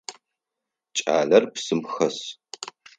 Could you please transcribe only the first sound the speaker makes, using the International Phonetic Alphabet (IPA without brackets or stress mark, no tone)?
t͡ʃʼ